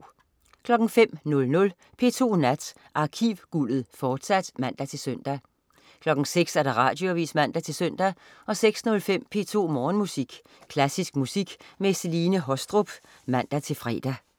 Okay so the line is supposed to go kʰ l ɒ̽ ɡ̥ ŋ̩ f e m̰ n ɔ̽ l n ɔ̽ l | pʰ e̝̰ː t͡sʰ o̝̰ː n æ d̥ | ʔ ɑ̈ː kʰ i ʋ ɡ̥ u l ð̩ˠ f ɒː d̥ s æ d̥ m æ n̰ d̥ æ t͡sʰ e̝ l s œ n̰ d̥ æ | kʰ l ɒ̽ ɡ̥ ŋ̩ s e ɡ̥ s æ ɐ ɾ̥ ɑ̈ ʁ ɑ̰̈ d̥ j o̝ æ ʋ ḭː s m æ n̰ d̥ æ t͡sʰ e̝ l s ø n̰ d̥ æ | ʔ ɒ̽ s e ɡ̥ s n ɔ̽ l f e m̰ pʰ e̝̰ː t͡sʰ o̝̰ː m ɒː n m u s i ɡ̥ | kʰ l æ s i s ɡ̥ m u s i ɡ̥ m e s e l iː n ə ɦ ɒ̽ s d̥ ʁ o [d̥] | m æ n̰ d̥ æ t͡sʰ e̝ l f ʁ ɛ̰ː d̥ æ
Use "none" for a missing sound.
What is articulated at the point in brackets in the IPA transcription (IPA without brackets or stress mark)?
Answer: b̥